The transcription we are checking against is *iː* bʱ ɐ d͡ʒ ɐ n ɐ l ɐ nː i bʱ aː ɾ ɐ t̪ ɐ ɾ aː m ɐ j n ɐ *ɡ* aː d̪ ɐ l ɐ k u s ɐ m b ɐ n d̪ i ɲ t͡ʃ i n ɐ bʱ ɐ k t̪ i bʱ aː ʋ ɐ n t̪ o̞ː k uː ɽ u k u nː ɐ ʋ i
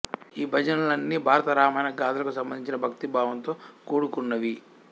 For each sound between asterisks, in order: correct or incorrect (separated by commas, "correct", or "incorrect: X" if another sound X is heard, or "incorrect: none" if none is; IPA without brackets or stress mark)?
correct, correct